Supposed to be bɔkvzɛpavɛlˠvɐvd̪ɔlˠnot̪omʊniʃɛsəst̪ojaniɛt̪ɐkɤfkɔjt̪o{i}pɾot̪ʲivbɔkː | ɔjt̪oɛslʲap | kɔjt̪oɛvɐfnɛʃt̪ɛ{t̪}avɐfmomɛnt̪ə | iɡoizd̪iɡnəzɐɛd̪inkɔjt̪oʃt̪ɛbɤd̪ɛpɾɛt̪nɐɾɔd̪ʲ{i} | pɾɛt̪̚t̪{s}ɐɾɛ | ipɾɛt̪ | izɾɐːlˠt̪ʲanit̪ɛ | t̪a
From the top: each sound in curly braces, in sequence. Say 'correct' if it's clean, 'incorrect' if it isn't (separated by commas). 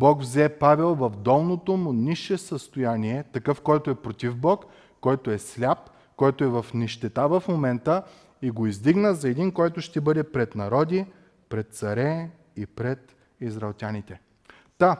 incorrect, correct, correct, correct